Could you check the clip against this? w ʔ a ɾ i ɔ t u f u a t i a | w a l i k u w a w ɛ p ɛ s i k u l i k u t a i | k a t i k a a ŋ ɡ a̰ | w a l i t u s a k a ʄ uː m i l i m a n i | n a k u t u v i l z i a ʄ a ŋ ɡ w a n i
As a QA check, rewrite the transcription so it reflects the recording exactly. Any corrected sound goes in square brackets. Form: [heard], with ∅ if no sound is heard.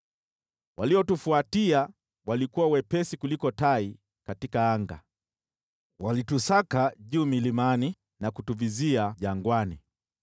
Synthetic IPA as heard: w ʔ a [l] i ɔ t u f u a t i a | w a l i k u w a w ɛ p ɛ s i k u l i k [ɔ] t a i | k a t i k a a ŋ ɡ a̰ | w a l i t u s a k a ʄ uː m i l i m a n i | n a k u t u v i [∅] z i a ʄ a ŋ ɡ w a n i